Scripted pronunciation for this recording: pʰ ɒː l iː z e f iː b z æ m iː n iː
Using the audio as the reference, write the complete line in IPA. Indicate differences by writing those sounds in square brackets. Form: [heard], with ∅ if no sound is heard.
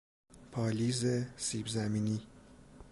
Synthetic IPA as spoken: pʰ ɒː l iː z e [s] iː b z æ m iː n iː